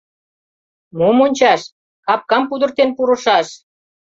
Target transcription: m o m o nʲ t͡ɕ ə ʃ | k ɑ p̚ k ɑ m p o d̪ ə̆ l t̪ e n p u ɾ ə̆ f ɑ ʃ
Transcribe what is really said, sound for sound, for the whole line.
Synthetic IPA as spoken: m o m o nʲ t͡ɕ ɑ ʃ | k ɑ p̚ k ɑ m p u d̪ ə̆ r t̪ e n p u ɾ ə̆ ʃ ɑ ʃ